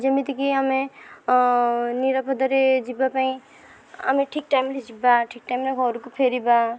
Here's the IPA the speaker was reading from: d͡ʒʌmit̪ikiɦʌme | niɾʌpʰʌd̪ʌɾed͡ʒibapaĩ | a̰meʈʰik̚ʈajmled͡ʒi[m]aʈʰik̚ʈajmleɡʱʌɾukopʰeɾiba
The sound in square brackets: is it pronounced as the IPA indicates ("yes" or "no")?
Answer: no